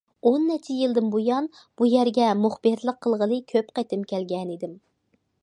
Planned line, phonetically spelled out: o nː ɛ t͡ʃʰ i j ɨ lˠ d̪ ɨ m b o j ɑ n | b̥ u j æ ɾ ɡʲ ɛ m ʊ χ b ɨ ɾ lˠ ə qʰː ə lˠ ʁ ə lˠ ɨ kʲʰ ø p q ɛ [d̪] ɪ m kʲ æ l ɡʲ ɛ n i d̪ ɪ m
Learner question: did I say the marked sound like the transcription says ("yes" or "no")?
no